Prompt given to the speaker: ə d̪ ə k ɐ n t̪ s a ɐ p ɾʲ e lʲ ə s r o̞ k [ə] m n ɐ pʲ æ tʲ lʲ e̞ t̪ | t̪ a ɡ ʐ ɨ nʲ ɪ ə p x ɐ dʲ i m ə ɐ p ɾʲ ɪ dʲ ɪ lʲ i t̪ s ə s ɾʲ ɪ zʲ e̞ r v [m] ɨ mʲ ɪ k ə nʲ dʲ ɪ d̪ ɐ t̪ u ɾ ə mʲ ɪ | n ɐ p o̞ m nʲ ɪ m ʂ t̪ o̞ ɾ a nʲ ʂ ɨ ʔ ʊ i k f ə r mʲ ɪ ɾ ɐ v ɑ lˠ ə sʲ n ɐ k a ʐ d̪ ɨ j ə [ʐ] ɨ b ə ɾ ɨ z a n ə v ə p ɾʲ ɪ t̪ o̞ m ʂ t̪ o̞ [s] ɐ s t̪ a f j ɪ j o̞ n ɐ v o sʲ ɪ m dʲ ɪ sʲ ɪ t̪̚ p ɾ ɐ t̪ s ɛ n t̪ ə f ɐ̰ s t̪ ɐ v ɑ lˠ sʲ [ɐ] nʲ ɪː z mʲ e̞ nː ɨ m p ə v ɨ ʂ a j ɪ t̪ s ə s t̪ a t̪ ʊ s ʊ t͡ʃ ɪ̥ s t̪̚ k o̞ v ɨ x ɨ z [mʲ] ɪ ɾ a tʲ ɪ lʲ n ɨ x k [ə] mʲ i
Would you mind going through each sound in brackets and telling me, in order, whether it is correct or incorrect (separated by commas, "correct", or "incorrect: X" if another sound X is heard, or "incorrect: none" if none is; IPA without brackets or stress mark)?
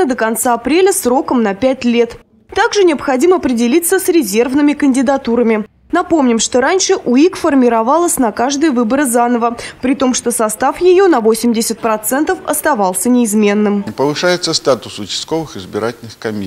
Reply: correct, incorrect: n, incorrect: v, correct, incorrect: ə, incorrect: bʲ, incorrect: ɐ